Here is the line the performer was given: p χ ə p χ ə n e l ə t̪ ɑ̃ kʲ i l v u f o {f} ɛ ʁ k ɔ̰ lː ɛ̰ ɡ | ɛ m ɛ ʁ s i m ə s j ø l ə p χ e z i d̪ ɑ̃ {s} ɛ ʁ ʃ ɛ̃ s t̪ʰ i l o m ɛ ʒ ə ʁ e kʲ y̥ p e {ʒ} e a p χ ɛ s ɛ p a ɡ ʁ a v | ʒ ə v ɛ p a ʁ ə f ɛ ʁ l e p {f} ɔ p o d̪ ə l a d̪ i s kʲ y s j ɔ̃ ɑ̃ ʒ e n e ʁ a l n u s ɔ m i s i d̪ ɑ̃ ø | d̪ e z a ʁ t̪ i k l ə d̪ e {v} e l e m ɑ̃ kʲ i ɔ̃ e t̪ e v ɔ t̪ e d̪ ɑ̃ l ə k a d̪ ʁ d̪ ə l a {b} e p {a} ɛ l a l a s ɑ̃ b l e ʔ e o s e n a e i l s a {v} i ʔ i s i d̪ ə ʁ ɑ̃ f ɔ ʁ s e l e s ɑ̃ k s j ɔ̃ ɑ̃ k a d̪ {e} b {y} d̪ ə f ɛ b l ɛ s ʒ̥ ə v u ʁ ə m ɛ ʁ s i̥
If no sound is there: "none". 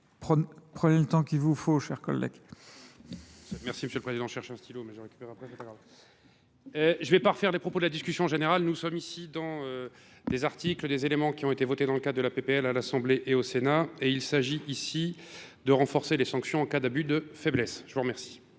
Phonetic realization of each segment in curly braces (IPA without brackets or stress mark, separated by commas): ʃ, ʃ, ʁ, χ, z, p, e, ʒ, a, y